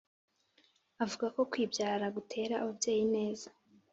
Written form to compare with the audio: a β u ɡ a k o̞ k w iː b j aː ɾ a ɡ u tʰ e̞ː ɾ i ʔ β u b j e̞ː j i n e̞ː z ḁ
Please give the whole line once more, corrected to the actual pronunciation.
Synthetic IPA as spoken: a v u ɡ a k o̞ k w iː b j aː ɾ a ɡ u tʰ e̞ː ɾ a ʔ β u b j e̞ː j i n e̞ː z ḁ